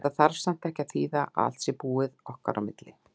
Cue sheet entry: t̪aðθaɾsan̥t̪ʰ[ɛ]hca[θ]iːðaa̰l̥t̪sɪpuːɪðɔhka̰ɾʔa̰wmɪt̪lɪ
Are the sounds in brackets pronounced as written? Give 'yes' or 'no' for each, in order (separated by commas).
yes, yes